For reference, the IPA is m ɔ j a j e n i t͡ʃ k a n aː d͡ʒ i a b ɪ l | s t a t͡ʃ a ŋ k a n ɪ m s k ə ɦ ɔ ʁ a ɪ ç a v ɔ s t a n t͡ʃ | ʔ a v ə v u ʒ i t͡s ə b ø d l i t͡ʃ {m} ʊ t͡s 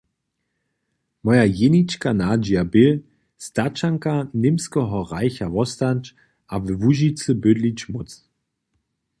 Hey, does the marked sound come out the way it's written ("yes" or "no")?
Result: yes